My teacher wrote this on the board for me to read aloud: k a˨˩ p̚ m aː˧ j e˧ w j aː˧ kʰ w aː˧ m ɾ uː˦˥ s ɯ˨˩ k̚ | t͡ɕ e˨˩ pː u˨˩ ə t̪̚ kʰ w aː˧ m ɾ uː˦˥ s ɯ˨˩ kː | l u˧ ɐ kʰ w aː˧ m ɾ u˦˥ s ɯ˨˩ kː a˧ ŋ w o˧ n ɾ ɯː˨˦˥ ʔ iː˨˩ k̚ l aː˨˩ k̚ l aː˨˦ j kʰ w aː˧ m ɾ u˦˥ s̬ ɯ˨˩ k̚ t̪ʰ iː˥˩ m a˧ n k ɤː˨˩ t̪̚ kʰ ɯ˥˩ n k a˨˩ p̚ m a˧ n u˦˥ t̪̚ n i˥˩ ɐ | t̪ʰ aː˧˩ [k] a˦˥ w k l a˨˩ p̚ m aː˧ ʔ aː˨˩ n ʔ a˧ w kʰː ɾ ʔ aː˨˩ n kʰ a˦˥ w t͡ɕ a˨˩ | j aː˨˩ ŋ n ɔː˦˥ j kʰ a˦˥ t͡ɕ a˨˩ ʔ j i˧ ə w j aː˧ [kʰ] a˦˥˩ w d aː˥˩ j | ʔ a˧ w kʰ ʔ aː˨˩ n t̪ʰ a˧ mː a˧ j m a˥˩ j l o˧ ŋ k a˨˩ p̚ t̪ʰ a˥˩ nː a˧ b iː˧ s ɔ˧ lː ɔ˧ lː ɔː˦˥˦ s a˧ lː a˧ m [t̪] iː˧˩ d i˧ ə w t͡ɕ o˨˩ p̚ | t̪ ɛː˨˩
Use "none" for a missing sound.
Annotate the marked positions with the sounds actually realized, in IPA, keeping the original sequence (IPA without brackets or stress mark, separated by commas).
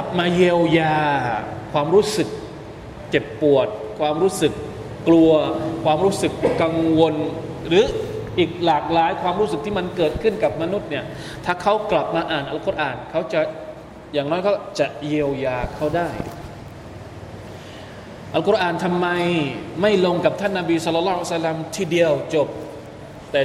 kʰ, kʰ, t̪ʰ